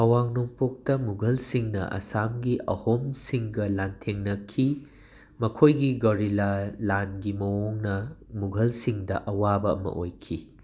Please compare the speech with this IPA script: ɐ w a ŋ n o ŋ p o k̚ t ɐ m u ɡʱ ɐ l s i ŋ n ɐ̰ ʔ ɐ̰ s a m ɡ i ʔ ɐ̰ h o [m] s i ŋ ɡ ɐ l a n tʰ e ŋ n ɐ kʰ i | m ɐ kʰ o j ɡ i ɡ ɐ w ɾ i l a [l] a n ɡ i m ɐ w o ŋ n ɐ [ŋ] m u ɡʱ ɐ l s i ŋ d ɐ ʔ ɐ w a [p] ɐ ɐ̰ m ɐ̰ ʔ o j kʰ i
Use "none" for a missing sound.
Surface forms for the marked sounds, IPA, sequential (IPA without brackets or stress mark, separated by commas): m, l, none, b